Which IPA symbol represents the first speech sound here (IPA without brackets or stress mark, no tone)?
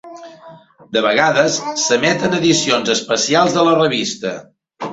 d̪